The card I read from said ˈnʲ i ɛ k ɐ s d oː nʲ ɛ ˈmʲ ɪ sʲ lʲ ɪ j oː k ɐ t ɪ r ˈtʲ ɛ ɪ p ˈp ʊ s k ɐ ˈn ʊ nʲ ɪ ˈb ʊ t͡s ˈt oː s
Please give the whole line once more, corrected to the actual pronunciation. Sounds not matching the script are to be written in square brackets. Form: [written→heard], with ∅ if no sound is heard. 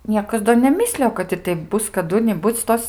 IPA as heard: ˈnʲ i ɛ k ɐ s d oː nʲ ɛ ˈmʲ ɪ sʲ lʲ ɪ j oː k ɐ t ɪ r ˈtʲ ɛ ɪ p [ˈp→ˈb] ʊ s k ɐ [ˈn→ˈd] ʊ nʲ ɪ ˈb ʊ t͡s ˈt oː s